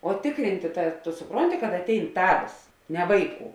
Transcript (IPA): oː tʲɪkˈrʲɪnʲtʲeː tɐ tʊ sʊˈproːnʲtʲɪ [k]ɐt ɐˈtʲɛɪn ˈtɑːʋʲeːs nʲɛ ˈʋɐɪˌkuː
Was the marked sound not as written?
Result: no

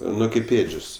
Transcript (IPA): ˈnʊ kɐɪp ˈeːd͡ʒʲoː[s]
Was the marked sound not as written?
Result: no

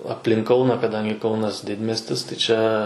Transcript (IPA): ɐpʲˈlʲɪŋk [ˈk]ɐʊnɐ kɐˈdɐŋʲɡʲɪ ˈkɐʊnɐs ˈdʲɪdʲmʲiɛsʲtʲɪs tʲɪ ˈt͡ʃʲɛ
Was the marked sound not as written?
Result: no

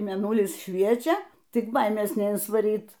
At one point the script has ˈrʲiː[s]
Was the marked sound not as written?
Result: yes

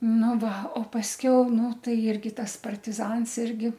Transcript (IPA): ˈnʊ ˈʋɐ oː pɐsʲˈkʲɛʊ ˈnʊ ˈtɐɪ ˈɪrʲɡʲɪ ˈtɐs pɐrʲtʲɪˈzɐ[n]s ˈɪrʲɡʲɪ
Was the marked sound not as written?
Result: no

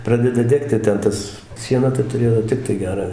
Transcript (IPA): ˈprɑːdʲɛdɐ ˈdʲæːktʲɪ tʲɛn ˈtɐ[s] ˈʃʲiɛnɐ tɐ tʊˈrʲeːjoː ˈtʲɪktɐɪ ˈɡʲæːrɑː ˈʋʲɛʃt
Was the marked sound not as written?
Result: no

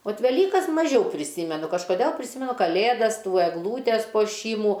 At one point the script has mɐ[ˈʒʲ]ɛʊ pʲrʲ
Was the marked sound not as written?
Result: no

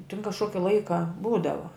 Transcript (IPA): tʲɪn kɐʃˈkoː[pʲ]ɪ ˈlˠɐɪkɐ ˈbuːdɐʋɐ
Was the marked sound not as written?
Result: yes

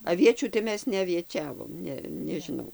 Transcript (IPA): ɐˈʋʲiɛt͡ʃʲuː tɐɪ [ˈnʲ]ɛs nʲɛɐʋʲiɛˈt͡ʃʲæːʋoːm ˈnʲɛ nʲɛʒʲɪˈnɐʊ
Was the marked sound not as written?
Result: yes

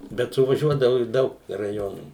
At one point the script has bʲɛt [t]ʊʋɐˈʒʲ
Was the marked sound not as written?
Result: yes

